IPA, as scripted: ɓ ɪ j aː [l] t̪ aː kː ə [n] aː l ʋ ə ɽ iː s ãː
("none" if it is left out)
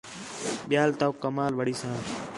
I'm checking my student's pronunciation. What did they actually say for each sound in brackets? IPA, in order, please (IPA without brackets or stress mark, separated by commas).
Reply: l, m